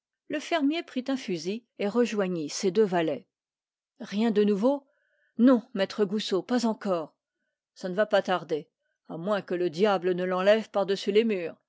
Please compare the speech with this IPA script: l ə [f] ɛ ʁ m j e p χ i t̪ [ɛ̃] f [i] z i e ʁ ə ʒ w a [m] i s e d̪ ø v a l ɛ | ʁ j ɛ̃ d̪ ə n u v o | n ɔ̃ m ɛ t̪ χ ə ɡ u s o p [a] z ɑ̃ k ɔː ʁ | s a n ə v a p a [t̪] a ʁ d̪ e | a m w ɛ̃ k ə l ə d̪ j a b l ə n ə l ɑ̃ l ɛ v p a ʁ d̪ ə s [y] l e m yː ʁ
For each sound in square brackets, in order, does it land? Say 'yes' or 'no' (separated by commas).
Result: yes, yes, no, no, yes, yes, yes